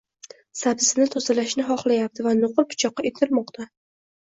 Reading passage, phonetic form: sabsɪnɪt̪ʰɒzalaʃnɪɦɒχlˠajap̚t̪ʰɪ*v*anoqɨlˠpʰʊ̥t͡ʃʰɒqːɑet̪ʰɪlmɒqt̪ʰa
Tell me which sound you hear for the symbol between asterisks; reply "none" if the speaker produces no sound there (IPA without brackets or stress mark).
v